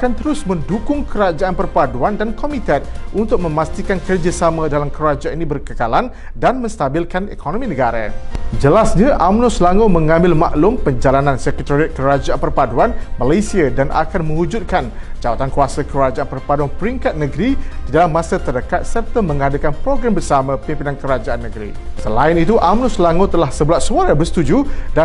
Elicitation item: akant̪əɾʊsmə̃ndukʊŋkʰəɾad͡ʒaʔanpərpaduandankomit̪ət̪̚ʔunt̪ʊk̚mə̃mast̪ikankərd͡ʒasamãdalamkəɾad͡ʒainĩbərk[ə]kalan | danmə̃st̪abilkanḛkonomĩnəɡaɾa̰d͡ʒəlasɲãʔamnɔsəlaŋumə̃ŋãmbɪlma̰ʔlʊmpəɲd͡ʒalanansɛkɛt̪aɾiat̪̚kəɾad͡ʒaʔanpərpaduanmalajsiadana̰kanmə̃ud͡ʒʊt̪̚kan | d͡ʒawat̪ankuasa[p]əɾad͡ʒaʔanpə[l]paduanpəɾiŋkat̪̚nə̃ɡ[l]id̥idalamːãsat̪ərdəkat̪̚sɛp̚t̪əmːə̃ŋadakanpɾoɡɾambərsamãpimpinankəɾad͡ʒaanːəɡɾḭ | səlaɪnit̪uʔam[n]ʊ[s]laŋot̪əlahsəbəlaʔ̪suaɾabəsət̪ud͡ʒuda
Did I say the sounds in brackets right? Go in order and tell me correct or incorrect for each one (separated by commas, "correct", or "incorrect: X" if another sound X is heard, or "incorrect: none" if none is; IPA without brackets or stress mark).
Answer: correct, incorrect: k, incorrect: r, incorrect: ɾ, correct, correct